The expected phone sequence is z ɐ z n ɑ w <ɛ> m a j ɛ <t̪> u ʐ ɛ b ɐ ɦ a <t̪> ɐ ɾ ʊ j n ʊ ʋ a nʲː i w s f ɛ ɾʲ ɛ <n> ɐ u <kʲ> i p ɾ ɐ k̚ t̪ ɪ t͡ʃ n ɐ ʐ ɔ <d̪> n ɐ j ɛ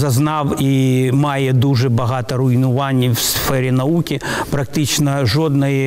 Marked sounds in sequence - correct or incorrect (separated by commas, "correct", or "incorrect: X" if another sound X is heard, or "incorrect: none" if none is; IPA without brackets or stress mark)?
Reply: incorrect: i, incorrect: d̪, correct, correct, correct, correct